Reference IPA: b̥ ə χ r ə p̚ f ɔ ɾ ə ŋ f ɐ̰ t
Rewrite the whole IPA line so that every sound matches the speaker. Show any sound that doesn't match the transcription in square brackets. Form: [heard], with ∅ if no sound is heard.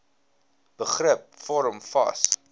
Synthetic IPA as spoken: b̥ ə χ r ə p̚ f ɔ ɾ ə [m] f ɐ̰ [s]